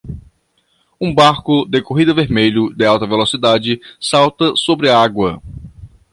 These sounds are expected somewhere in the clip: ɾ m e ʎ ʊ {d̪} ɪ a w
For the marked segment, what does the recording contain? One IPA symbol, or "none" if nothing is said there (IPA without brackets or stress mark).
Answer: d̪